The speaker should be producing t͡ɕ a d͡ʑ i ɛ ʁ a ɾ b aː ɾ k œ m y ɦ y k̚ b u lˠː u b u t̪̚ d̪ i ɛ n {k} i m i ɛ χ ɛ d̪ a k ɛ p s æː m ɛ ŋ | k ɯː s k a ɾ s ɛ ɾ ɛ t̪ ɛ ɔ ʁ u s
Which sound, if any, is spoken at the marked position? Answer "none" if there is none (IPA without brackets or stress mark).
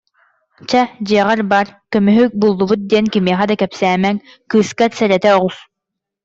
k